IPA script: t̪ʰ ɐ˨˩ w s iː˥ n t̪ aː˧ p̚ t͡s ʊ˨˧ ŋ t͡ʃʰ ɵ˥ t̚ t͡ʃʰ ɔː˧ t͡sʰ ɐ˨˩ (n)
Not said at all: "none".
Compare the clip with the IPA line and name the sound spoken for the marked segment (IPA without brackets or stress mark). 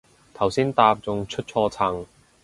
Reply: ŋ